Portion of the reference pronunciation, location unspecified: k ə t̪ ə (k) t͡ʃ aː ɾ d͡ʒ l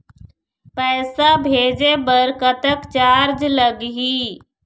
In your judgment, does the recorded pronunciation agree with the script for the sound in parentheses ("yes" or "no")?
yes